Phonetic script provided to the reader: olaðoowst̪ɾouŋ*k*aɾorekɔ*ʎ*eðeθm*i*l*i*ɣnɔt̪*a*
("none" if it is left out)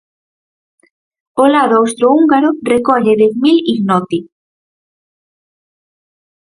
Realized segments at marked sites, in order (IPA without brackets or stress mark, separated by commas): ɡ, ʎ, i, i, i